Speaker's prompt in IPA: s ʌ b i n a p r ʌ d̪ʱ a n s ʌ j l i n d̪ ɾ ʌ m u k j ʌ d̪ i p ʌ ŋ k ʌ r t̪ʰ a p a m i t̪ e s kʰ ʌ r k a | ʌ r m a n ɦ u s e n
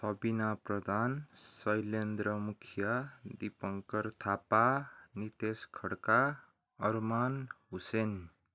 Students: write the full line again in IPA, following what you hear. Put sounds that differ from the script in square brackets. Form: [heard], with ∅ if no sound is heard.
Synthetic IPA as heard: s ʌ b i n a p r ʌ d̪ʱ a n s ʌ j l [e] n d̪ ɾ ʌ m u [kʰ] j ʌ d̪ i p ʌ ŋ k ʌ r t̪ʰ a p a [n] i t̪ e s kʰ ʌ [ɽ] k a | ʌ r m a n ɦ u s e n